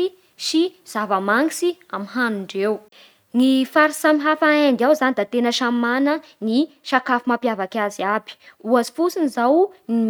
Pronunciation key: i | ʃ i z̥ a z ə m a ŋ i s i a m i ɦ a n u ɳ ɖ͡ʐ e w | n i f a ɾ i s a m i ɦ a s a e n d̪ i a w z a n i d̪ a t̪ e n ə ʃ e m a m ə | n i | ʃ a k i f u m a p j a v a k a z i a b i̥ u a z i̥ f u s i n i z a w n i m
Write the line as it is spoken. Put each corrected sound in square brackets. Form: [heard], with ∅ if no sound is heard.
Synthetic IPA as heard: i | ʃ i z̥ a [v] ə m a ŋ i s i a m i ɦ a n u ɳ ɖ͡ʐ e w | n i f a ɾ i s a m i ɦ a [f] a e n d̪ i a w z a n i d̪ a t̪ e n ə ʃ [a] m a [n] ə | n i | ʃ a k [a] f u m a p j a v a k a z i a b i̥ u a z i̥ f u s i n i z a w n i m